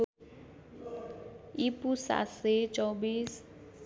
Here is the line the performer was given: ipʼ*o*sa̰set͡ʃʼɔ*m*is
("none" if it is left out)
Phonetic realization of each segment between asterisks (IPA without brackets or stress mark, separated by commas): u, b